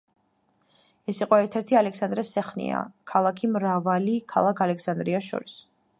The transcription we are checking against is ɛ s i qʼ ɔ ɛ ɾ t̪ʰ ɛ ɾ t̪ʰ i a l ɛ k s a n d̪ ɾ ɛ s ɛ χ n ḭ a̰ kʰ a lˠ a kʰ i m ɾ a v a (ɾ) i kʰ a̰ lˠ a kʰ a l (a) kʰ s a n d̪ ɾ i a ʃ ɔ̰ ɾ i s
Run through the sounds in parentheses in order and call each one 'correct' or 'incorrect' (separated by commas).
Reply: incorrect, incorrect